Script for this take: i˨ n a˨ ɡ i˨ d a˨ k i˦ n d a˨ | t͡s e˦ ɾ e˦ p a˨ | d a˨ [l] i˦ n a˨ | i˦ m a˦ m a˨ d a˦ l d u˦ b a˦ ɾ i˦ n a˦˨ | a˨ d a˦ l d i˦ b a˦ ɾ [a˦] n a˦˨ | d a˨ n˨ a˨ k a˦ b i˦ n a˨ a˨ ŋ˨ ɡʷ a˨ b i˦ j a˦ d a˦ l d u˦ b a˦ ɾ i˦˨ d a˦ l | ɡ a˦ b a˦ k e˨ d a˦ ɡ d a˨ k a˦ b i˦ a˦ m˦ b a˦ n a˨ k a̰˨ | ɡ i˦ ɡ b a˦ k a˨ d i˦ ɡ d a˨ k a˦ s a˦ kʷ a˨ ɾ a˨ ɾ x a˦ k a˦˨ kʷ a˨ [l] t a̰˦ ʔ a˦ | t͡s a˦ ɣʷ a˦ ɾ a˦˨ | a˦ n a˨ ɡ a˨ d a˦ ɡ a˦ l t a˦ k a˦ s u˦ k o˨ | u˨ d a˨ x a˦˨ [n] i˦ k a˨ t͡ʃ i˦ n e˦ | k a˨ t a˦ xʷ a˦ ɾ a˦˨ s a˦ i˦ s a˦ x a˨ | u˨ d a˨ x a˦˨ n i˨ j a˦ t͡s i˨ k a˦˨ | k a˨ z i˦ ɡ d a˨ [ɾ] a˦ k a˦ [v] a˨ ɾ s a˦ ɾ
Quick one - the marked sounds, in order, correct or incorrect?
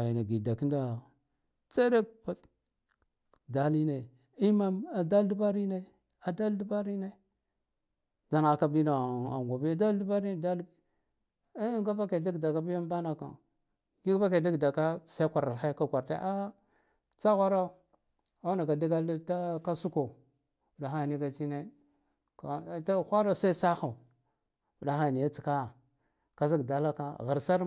correct, incorrect, incorrect, correct, incorrect, incorrect

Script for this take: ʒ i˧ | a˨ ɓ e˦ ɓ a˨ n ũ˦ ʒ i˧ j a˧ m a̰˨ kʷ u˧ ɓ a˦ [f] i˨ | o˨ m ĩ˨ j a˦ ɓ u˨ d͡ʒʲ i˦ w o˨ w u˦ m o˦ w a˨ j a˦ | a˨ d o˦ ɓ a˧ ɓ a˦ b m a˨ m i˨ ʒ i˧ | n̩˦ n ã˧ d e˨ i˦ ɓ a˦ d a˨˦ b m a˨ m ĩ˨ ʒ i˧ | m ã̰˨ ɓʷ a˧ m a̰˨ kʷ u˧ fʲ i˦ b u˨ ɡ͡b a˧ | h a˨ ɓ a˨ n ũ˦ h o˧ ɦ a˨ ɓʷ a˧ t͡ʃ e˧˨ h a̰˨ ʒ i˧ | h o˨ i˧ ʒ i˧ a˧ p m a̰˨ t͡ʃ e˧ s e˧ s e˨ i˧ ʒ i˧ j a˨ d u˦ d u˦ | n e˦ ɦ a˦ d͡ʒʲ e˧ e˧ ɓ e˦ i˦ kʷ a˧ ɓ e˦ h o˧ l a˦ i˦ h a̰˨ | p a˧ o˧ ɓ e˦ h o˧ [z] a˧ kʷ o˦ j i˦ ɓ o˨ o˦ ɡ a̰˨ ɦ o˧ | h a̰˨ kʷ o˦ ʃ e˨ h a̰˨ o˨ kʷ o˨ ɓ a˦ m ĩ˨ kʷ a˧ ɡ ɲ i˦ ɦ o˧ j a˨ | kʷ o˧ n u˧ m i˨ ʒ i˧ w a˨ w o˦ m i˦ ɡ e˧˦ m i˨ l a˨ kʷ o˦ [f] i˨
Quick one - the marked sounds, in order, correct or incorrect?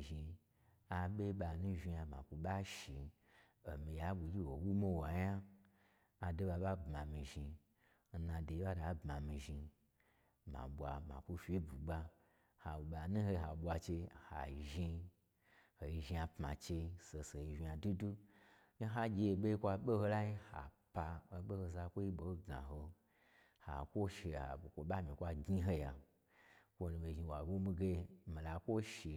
incorrect, correct, incorrect

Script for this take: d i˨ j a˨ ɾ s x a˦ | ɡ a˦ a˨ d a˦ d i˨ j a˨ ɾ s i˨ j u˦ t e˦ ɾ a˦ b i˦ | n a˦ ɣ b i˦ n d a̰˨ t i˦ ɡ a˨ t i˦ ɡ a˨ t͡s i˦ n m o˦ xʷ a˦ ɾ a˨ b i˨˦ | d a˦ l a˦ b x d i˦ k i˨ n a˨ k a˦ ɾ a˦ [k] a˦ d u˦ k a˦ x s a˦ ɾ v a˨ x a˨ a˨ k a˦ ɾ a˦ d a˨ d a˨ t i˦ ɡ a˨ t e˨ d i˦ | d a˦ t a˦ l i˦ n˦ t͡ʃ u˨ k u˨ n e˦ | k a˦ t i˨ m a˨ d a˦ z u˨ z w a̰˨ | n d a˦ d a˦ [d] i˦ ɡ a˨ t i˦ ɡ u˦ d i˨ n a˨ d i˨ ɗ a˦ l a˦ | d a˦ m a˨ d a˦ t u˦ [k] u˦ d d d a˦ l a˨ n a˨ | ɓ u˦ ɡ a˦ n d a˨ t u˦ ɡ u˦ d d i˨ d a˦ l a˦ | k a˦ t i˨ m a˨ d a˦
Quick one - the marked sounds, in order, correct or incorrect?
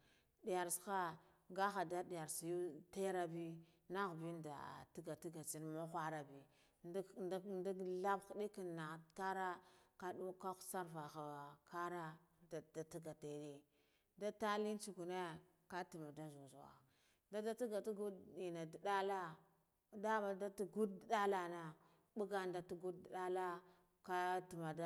correct, incorrect, incorrect

